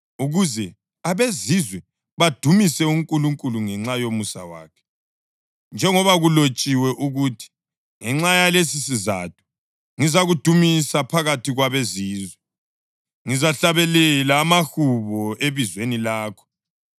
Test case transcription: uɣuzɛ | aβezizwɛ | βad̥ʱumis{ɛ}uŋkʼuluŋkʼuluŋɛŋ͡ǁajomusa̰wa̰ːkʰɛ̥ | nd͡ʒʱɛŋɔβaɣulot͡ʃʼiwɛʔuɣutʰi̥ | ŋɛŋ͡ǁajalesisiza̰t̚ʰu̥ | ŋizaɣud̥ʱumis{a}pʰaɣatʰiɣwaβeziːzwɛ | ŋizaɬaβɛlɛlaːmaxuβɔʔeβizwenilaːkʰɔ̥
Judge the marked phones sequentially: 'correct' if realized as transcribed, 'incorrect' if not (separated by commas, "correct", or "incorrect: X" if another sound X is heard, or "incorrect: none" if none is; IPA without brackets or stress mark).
correct, correct